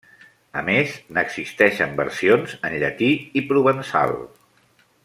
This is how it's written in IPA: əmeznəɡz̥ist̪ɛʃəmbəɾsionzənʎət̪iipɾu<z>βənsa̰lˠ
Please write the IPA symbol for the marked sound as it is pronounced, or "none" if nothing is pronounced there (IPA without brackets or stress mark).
none